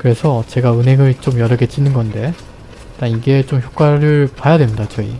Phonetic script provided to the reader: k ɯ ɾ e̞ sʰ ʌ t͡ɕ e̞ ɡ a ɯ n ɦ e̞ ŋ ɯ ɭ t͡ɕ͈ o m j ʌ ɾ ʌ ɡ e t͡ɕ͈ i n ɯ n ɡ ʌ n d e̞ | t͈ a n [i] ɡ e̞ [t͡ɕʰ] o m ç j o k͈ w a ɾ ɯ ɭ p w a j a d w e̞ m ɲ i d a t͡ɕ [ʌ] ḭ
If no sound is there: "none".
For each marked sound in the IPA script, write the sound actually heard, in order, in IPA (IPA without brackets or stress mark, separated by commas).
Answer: i, t͡ɕ, ʌ